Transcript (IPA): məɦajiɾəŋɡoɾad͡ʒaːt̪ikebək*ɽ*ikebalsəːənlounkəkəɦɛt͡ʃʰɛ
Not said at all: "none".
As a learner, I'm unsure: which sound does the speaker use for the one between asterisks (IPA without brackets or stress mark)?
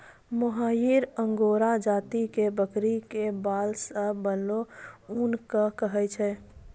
ɾ